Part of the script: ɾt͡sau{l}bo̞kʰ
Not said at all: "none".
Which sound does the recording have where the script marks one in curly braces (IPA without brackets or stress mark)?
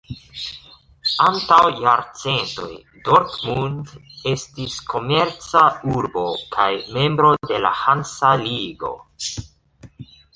ɾ